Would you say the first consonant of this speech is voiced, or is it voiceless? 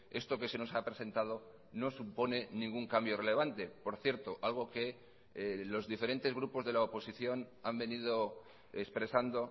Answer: voiceless